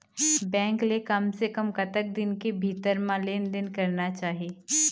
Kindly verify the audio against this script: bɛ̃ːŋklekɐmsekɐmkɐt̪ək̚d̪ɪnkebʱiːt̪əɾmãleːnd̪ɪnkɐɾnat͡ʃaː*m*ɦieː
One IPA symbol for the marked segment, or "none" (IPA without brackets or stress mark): none